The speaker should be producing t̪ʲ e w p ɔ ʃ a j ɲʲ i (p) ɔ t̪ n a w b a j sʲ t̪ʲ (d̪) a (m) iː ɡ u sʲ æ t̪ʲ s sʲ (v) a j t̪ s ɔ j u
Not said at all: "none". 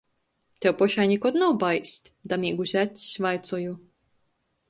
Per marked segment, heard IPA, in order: k, d̪, m, v

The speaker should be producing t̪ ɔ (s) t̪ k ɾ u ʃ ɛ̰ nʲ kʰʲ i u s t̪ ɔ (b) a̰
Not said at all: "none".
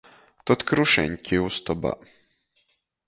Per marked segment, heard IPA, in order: none, b

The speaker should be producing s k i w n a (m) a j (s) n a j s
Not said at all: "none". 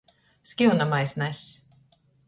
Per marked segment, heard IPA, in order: m, θ

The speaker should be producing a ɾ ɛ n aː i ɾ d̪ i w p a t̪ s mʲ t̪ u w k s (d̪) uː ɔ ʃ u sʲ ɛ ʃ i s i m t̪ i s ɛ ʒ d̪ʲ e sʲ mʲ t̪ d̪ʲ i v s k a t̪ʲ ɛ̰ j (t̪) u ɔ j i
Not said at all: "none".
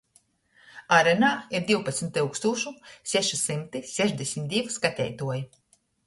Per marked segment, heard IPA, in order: t̪, t̪

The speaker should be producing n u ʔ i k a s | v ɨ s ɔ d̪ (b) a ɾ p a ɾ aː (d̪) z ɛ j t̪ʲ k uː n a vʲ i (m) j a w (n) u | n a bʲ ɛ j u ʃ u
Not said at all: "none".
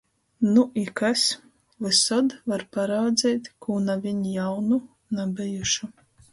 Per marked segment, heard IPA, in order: v, d̪, ɲ, n

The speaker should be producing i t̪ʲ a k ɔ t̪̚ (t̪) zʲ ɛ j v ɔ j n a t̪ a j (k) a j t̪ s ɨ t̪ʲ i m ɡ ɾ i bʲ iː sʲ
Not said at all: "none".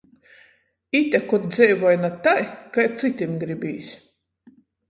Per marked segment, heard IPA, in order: d̪, k

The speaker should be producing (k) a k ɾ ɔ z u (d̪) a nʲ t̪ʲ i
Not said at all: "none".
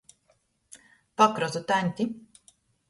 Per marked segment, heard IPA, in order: p, t̪

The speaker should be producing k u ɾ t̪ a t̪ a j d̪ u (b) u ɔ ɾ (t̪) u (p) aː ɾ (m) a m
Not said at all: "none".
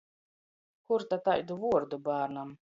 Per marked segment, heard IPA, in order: v, d̪, b, n

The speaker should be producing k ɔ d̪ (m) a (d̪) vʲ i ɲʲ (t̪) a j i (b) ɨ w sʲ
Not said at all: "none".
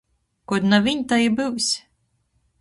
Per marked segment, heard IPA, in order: n, none, t̪, b

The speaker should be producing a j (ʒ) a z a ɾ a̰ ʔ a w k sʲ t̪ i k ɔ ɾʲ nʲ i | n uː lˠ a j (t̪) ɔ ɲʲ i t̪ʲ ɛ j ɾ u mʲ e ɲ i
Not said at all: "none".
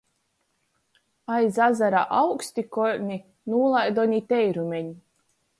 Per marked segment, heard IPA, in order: z, d̪

